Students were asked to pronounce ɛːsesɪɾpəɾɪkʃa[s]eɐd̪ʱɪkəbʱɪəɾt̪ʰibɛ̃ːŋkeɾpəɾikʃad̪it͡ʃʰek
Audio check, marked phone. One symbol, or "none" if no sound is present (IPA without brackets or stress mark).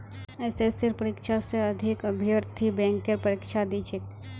s